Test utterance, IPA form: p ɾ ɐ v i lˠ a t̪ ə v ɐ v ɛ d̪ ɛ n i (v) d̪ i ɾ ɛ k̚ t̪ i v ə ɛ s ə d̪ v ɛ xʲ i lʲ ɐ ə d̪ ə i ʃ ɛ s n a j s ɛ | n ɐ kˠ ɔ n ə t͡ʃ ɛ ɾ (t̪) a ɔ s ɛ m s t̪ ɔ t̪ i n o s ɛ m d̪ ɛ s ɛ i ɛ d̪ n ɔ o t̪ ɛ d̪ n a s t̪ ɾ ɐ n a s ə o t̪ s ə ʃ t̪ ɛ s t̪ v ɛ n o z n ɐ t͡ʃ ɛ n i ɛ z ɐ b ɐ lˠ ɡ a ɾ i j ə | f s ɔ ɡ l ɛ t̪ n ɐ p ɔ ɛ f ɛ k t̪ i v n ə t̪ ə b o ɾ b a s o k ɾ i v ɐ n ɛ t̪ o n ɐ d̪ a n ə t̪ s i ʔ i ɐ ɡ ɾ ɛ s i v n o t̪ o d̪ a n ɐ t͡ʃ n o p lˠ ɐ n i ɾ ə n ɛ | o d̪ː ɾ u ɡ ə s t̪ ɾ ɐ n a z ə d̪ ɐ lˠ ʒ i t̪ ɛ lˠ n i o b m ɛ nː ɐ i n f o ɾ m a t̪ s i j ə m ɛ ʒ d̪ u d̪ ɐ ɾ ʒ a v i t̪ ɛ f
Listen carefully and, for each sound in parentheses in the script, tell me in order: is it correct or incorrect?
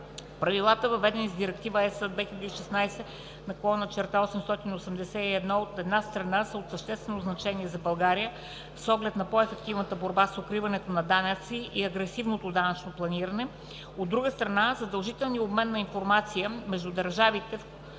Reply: incorrect, correct

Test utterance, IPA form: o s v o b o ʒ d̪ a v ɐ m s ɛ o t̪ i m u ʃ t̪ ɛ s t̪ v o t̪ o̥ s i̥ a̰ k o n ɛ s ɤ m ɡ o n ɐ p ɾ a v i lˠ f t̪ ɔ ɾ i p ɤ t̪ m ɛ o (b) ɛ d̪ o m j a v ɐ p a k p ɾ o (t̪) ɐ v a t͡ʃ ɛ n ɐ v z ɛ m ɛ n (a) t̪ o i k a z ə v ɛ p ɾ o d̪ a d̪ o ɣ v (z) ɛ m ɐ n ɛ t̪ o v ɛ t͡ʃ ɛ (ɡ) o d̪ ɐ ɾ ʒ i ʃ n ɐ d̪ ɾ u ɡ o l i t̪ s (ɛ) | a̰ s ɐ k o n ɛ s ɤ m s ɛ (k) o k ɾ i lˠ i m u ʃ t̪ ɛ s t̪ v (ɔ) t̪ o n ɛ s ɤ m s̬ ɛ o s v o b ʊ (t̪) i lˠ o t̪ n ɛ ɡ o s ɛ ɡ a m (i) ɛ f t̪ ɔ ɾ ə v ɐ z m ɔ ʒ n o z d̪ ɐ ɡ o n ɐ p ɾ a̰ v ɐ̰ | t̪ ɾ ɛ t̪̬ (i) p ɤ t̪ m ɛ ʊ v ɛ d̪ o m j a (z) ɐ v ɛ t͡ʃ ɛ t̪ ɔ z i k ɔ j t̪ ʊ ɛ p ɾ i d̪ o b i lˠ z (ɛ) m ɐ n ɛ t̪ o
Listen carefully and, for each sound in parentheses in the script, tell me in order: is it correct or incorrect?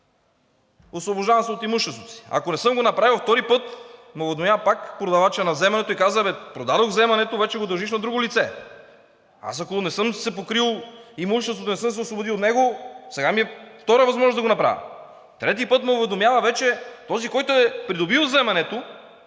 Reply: incorrect, incorrect, incorrect, correct, correct, correct, incorrect, incorrect, incorrect, correct, correct, incorrect, correct

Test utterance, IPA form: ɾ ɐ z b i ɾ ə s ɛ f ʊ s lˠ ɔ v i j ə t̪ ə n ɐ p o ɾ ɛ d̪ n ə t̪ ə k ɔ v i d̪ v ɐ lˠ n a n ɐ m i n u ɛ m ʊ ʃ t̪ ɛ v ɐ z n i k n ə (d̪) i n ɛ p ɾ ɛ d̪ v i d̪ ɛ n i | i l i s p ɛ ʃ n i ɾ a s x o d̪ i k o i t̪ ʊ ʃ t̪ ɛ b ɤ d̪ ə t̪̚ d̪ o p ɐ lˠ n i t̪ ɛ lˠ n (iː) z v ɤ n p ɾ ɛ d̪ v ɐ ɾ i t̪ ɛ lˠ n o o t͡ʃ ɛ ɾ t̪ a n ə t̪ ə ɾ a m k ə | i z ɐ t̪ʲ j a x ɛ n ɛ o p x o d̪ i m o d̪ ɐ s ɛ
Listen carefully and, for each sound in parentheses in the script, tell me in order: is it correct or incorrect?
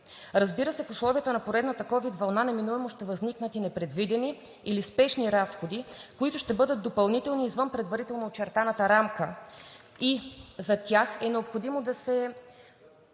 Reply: incorrect, correct

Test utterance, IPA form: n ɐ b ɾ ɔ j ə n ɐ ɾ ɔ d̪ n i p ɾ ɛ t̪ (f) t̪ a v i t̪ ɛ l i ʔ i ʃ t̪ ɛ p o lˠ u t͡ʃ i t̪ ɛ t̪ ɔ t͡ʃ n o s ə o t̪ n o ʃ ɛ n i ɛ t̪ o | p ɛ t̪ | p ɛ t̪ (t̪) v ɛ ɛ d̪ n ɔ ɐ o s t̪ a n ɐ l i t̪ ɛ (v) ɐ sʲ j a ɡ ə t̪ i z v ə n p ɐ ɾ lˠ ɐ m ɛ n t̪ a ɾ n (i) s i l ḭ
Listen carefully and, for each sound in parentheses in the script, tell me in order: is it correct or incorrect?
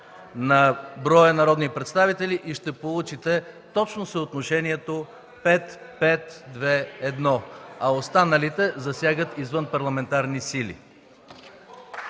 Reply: incorrect, incorrect, incorrect, correct

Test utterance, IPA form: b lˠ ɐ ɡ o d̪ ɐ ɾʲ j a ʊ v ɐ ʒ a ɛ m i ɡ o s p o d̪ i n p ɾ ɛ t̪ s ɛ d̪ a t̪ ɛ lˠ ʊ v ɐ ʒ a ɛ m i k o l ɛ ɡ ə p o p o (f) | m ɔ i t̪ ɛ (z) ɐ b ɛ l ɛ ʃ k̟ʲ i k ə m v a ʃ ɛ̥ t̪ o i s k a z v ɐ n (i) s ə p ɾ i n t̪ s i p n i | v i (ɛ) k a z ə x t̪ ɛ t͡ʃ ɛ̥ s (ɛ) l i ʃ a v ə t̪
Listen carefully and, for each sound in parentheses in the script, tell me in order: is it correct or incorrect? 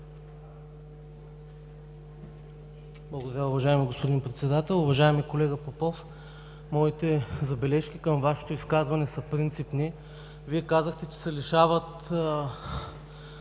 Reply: correct, correct, incorrect, correct, correct

